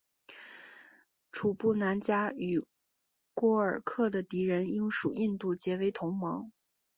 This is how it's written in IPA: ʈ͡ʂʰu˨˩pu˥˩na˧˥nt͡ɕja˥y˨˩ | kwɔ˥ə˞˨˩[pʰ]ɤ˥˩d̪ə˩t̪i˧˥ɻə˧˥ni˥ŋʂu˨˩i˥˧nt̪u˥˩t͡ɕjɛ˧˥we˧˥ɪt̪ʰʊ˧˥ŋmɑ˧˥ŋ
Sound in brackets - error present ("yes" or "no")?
yes